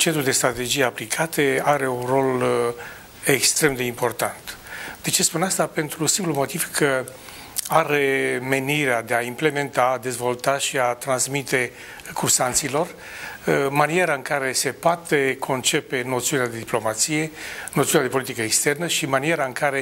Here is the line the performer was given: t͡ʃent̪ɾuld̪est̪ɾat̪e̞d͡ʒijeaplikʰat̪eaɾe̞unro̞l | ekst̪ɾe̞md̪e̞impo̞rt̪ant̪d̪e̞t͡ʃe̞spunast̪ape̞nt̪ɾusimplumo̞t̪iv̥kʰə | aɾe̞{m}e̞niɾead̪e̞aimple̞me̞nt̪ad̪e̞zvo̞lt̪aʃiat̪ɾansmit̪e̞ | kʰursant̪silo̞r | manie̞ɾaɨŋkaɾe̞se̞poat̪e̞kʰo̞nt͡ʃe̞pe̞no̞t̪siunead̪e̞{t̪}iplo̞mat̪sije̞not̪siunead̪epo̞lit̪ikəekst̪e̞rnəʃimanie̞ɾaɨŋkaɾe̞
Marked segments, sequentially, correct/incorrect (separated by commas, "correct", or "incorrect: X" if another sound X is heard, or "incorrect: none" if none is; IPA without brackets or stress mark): correct, incorrect: d̪